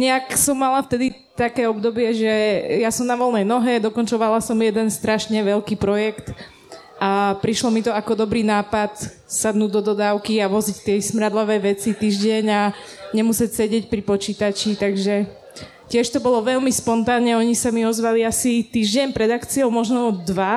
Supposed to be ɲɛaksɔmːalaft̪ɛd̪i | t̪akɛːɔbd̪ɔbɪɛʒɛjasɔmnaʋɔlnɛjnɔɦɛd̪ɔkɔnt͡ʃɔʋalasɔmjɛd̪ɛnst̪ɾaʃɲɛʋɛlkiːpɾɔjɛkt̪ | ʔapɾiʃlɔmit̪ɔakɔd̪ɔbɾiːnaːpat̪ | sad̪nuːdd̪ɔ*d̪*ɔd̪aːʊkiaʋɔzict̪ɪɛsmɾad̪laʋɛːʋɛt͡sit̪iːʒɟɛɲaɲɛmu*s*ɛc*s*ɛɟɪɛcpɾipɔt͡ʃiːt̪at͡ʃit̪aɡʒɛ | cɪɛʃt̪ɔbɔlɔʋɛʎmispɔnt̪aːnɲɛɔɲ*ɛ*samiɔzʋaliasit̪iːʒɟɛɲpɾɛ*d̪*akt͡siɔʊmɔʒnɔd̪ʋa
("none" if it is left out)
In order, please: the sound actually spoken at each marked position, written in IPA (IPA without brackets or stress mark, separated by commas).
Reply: d̪, s, s, i, d̪